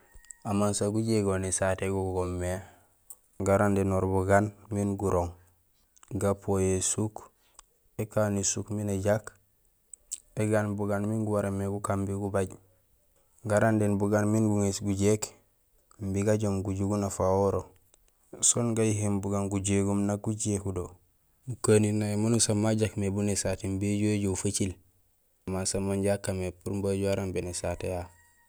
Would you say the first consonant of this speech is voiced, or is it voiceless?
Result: voiced